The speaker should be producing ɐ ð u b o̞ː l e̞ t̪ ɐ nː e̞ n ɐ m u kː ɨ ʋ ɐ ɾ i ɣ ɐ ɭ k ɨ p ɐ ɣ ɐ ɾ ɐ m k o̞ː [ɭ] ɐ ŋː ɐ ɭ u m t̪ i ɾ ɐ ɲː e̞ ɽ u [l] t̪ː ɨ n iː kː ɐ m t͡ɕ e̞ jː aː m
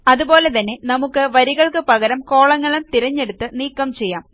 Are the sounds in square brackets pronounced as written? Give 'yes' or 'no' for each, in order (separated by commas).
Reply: yes, no